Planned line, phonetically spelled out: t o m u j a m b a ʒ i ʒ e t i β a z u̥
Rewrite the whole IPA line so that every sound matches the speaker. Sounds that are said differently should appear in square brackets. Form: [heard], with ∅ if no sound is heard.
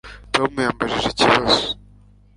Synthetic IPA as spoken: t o m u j a m b a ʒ i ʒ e [c] i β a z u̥